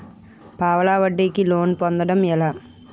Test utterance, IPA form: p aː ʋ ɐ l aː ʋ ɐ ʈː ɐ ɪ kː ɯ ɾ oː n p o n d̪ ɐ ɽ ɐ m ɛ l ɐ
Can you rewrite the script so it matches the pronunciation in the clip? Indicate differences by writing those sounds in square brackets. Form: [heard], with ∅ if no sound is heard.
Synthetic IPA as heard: p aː ʋ ɐ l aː ʋ ɐ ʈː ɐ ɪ kː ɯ [l] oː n p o n d̪ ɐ ɽ ɐ m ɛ l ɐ